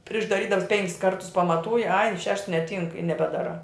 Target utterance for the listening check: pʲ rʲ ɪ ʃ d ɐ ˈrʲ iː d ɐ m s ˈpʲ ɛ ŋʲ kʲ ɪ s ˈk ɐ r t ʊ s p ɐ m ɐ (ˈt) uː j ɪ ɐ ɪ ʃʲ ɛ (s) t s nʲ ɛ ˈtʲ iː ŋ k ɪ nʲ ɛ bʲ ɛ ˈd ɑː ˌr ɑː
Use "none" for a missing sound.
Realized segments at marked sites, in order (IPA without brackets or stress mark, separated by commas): t, ʃ